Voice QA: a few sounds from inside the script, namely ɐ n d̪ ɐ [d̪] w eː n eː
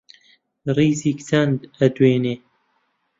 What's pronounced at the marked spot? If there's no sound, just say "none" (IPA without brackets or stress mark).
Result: d̪